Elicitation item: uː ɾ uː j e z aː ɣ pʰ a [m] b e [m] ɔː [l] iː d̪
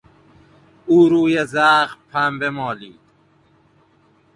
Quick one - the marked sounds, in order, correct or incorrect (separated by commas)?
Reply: correct, correct, correct